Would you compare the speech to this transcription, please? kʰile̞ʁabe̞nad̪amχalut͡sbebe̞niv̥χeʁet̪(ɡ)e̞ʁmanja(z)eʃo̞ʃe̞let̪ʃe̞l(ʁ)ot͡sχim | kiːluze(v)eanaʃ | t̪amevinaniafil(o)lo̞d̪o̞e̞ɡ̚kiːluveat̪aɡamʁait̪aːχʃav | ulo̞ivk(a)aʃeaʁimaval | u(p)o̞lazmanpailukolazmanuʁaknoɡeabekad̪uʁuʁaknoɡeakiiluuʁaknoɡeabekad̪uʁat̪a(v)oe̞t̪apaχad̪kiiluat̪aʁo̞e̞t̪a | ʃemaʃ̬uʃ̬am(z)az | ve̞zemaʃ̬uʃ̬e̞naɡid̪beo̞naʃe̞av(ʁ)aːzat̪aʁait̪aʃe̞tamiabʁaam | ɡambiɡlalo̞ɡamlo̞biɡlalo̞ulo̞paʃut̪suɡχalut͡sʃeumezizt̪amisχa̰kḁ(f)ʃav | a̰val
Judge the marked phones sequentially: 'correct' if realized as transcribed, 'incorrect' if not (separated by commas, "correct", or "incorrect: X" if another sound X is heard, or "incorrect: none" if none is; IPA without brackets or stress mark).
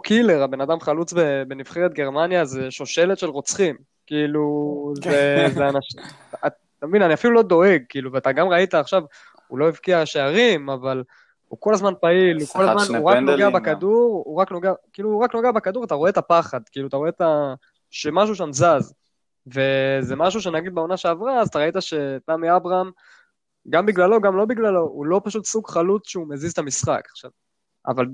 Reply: correct, correct, correct, incorrect: z, incorrect: u, incorrect: i, incorrect: k, incorrect: ʁ, correct, correct, incorrect: χ